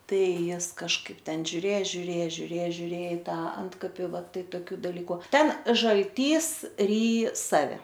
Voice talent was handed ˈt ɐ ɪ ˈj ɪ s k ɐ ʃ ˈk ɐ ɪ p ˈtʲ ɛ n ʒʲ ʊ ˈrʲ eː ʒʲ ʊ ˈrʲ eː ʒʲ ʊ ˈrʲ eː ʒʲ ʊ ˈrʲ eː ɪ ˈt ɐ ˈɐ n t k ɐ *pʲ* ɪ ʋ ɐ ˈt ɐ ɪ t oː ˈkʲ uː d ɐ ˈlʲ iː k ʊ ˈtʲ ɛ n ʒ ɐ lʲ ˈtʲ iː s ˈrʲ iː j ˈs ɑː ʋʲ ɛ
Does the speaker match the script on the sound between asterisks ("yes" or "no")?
yes